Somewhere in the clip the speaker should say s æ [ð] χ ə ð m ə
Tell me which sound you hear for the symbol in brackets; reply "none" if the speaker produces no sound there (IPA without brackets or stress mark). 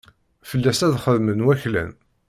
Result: ð